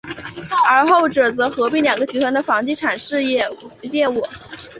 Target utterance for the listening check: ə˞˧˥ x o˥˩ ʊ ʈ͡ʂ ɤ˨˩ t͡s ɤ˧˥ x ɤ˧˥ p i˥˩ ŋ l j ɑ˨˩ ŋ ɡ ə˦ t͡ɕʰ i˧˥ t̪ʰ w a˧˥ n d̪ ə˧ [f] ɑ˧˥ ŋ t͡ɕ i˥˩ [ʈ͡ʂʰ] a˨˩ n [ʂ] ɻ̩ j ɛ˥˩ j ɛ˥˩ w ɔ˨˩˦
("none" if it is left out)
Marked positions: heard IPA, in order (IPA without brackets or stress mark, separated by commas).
f, ʈ͡ʂʰ, ʂ